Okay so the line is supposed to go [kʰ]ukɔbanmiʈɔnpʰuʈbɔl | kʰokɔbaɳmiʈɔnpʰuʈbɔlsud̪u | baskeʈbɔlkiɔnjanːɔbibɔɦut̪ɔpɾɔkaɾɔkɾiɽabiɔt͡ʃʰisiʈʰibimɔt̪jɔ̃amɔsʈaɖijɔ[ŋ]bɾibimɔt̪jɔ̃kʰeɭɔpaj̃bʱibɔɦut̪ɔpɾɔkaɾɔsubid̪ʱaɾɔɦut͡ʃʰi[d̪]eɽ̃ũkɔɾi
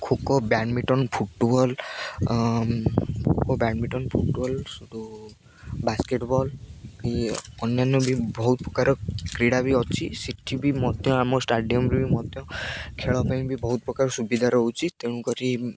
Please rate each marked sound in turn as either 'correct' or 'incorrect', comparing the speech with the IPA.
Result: correct, incorrect: m, incorrect: t̪

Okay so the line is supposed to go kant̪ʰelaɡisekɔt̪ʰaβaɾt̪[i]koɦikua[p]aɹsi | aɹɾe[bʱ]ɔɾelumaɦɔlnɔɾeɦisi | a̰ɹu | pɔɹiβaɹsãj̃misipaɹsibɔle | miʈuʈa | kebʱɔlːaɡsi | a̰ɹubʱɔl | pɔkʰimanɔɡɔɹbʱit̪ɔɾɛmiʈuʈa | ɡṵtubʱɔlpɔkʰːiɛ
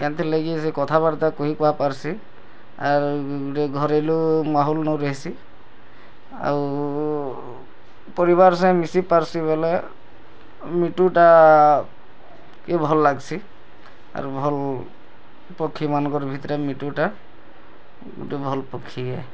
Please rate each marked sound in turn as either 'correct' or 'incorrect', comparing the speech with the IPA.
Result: incorrect: a, correct, incorrect: ɡʱ

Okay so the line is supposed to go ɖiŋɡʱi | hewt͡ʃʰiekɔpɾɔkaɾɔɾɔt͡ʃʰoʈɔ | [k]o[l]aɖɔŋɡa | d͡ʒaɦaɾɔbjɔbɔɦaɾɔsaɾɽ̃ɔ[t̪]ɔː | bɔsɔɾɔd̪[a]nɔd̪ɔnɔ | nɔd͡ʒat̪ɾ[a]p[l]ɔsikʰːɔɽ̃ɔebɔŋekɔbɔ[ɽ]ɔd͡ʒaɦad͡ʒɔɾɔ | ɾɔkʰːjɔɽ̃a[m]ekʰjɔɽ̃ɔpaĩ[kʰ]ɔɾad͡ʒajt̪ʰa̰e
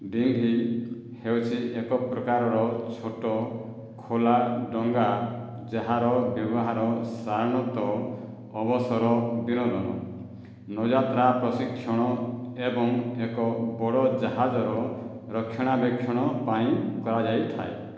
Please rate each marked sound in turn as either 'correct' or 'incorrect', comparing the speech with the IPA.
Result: incorrect: kʰ, correct, correct, incorrect: i, correct, incorrect: ɾ, correct, incorrect: b, incorrect: k

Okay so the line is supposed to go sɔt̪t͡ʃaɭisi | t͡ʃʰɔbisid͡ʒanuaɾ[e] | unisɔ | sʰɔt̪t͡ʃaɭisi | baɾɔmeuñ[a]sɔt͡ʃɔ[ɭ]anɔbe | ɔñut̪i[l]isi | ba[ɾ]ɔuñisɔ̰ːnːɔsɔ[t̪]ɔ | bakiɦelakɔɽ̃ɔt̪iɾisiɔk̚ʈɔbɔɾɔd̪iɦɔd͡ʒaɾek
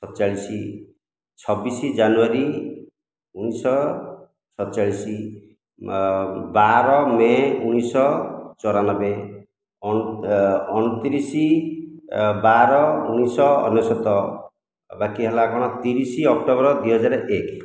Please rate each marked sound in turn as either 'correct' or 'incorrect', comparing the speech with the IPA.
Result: incorrect: i, incorrect: i, incorrect: ɾ, incorrect: ɾ, correct, correct

